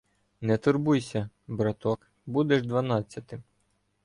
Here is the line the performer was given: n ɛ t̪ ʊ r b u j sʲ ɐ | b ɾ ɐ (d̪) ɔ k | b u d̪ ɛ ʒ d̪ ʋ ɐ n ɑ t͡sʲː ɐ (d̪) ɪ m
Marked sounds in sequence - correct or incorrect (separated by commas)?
incorrect, incorrect